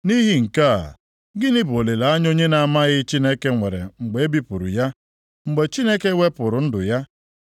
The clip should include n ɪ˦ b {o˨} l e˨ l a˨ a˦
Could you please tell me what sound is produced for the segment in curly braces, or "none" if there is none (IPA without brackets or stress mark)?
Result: o˨